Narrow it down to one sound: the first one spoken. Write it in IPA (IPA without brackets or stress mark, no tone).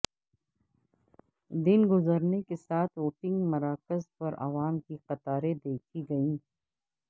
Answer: d̪